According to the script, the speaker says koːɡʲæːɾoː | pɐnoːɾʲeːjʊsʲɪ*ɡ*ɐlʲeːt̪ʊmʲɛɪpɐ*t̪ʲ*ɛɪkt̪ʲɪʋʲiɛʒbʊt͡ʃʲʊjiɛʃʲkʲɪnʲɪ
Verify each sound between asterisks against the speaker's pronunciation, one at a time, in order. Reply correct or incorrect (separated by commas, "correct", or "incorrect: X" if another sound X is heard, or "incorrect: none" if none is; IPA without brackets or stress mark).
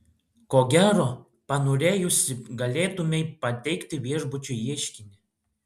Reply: correct, correct